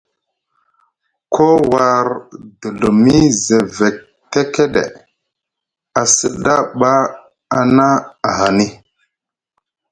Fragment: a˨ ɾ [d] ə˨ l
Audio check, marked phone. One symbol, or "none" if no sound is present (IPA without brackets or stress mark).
d